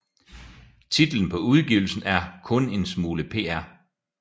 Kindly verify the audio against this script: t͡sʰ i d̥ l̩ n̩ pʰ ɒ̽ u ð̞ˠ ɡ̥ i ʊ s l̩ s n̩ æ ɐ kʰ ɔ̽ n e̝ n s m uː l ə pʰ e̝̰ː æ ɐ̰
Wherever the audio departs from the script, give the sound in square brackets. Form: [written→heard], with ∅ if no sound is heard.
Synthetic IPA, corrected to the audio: t͡sʰ i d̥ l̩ n̩ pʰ ɒ̽ u ð̞ˠ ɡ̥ i ʊ [s→∅] l̩ s n̩ æ ɐ kʰ ɔ̽ n e̝ n s m uː l ə pʰ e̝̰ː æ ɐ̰